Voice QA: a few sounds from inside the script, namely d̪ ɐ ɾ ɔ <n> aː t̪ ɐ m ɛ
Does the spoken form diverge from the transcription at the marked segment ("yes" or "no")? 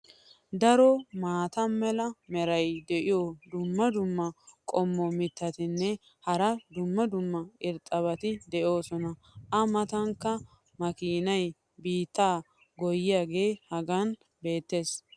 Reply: yes